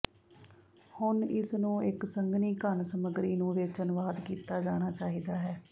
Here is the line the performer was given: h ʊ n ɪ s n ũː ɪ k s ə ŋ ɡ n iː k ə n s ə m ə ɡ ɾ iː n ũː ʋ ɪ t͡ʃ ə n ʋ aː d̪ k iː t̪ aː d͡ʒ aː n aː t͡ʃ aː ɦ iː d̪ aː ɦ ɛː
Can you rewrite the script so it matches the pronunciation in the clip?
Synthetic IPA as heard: h ʊ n ɪ s n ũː ɪ k s ə ŋ ɡ n iː k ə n s ə m ə ɡ ɾ iː n ũː ʋ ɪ t͡ʃ ə n ʋ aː d̪ k iː t̪ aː d͡ʒ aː n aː t͡ʃ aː ɦ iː d̪ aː ɦ ɛː